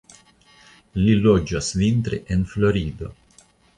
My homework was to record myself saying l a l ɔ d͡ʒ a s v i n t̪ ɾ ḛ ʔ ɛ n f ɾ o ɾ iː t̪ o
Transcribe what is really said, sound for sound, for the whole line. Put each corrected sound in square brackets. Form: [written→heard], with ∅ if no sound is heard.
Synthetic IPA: l [a→i] l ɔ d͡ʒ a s v i n t̪ ɾ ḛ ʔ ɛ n f [ɾ→l] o ɾ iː [t̪→d̪] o